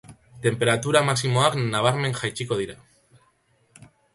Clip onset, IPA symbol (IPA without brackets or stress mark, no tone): t̪